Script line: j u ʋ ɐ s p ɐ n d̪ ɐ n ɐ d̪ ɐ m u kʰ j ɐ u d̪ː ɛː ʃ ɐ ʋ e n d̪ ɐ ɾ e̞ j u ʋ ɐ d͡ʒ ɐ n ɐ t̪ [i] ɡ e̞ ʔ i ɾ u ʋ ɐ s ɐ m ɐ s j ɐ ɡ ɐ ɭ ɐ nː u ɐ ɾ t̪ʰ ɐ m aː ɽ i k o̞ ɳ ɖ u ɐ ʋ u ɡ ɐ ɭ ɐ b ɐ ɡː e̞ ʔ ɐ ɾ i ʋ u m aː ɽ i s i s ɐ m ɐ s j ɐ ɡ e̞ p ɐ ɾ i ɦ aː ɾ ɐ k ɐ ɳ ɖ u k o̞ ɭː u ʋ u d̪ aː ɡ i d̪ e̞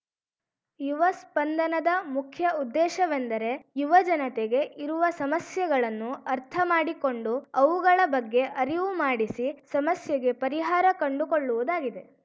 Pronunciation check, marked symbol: incorrect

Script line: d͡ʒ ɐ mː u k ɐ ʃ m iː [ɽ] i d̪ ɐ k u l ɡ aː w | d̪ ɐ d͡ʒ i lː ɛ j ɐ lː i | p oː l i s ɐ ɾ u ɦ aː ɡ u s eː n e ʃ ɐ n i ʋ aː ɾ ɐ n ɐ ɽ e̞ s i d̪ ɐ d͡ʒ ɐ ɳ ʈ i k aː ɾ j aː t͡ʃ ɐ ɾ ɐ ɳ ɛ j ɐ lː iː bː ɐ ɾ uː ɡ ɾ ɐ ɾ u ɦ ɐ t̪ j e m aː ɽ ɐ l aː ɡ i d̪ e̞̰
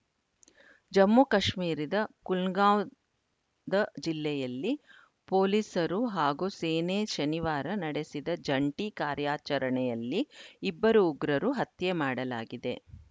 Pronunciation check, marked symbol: incorrect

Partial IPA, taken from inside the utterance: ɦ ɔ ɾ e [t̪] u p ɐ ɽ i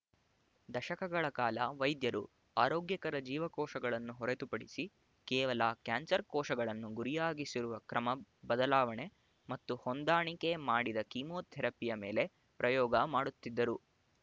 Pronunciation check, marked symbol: correct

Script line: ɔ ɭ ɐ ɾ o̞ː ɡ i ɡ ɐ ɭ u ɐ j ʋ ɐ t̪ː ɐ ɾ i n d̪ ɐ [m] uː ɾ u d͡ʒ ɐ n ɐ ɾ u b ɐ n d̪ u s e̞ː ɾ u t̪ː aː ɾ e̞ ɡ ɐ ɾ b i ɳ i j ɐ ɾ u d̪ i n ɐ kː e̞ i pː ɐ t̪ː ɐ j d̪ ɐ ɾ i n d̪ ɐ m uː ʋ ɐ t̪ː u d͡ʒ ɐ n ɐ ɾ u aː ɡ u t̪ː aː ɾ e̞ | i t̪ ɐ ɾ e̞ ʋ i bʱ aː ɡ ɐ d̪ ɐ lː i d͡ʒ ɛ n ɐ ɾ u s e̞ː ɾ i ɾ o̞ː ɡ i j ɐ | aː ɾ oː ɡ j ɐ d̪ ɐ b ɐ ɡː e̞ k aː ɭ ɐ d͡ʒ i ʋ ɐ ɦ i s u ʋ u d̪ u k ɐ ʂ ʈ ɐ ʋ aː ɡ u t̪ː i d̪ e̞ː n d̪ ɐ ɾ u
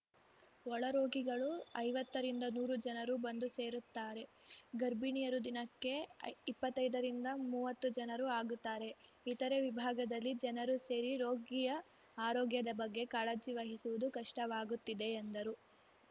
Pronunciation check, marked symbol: incorrect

